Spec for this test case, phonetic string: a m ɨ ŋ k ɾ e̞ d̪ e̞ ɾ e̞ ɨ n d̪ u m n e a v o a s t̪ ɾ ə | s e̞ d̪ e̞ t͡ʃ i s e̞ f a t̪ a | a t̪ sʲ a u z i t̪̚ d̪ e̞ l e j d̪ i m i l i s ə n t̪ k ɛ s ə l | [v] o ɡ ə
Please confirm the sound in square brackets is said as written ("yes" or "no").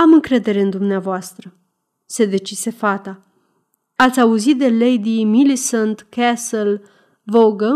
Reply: yes